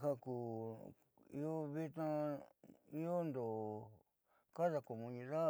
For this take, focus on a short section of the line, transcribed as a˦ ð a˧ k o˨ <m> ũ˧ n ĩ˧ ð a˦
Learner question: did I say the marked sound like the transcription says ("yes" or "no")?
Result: yes